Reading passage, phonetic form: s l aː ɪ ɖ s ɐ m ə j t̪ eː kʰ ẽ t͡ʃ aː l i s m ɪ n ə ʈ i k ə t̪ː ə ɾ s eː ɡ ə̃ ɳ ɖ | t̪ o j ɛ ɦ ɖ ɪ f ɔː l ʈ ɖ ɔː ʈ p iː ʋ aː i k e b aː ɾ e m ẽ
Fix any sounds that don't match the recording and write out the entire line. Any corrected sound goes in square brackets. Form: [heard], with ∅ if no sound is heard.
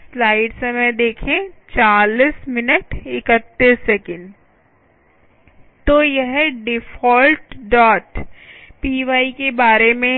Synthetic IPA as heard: s l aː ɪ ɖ s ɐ m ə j [d̪] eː kʰ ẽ t͡ʃ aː l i s m ɪ n ə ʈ [ɪ] k ə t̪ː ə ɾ s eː [k] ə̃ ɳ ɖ | t̪ o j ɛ ɦ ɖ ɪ f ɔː l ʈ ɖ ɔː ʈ p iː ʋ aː i k e b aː ɾ e m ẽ

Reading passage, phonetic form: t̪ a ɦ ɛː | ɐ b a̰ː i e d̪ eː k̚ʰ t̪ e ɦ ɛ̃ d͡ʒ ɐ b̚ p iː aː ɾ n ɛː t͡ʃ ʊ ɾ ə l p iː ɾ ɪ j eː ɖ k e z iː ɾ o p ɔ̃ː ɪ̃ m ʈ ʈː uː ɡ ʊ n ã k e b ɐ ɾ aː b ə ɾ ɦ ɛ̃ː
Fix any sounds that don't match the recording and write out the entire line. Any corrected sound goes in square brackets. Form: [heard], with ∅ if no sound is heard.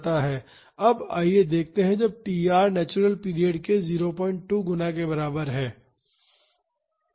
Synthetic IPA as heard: t̪ a ɦ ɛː | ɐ b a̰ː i e d̪ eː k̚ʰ t̪ e ɦ ɛ̃ d͡ʒ ɐ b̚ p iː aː ɾ n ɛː t͡ʃ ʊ ɾ ə l p iː ɾ [i] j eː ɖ k e z iː ɾ o p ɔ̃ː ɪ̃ [ɳ] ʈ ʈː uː ɡ ʊ n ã k e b ɐ ɾ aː b ə ɾ ɦ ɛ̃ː

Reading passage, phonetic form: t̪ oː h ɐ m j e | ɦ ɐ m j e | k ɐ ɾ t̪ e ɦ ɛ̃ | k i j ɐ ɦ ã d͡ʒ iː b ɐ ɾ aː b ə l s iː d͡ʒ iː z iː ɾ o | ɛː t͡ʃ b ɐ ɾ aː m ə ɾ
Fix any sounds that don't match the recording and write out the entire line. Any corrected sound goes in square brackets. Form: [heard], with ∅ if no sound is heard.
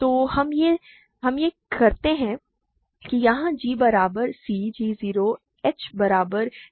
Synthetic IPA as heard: t̪ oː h ɐ m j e | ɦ ɐ m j e | k ɐ ɾ t̪ e ɦ ɛ̃ | k i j ɐ ɦ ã d͡ʒ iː b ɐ ɾ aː b ə [ɾ] s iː d͡ʒ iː z iː ɾ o | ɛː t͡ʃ b ɐ ɾ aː [b] ə ɾ

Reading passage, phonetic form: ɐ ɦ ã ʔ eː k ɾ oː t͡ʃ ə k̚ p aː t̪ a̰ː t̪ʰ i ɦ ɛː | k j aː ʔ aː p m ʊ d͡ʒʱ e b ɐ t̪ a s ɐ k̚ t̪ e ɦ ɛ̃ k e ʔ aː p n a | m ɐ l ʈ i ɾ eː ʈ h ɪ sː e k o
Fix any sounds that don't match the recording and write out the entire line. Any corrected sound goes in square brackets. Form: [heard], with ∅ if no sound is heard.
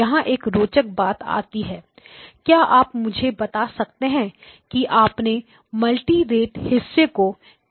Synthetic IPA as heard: ɐ ɦ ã ʔ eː k ɾ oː t͡ʃ ə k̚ [b] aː t̪ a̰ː [t̪] i ɦ ɛː | k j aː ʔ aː p m ʊ d͡ʒʱ e b ɐ t̪ a s ɐ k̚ t̪ e ɦ ɛ̃ k [i] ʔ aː p n [e] | m ɐ l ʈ i ɾ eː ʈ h ɪ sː e k o

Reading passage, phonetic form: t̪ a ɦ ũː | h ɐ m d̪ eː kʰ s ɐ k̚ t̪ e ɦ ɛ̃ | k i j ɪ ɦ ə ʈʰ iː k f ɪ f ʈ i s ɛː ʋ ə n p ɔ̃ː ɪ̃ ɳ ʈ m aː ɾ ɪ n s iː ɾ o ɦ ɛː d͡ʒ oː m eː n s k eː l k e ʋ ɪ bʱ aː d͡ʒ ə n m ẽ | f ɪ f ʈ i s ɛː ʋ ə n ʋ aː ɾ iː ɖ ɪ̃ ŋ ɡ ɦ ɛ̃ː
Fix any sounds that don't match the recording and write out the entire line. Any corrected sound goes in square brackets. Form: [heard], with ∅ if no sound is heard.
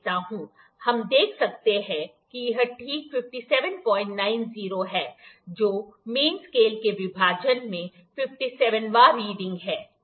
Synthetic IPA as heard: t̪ a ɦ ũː | h ɐ m d̪ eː kʰ s ɐ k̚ t̪ e ɦ ɛ̃ | k i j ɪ ɦ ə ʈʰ iː k f ɪ f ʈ i s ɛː ʋ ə n p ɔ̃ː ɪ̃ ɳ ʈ [n] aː [∅] ɪ n [z] iː ɾ o ɦ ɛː d͡ʒ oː m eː n s k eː l k e ʋ ɪ bʱ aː d͡ʒ ə n m ẽ | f ɪ f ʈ i s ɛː ʋ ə n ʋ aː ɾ iː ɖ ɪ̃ ŋ ɡ ɦ [ɛː]

